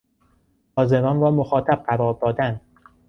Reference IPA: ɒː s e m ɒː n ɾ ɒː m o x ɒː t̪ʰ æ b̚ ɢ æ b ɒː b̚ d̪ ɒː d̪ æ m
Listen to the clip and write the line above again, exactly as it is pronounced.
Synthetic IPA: ɒː z e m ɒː n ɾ ɒː m o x ɒː t̪ʰ æ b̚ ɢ æ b ɒː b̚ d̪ ɒː d̪ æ n